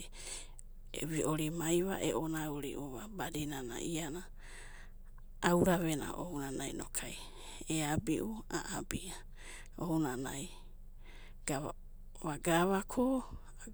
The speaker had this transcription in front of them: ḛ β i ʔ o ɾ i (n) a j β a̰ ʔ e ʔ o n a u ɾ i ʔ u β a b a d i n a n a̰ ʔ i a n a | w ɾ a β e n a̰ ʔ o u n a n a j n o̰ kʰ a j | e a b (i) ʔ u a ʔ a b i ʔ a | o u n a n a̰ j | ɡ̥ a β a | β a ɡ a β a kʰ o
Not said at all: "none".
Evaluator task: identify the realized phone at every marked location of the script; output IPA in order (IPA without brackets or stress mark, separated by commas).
m, i